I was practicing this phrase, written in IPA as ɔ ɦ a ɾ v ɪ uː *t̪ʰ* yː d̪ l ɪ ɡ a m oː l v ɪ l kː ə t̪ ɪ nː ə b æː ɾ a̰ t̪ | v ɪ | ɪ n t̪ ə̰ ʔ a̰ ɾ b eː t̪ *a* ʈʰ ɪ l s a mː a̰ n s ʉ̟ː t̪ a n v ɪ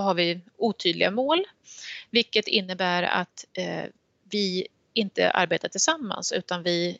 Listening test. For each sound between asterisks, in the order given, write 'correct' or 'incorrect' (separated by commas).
correct, correct